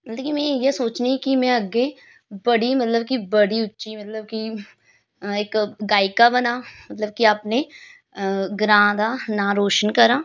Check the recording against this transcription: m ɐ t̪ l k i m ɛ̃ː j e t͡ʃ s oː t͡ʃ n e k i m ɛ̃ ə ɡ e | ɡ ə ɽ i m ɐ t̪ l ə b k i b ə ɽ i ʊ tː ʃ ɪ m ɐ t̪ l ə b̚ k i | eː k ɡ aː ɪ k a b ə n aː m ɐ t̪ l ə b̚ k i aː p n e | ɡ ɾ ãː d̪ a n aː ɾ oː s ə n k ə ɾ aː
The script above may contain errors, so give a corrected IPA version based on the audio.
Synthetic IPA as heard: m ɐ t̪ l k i m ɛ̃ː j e s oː t͡ʃ n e k i m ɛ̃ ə ɡ e | b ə ɽ i m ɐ t̪ l ə b k i b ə ɽ i ʊ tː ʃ i m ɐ t̪ l ə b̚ k i | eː k ɡ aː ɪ k a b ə n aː m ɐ t̪ l ə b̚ k i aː p n e | ɡ ɾ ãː d̪ a n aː ɾ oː ʃ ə n k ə ɾ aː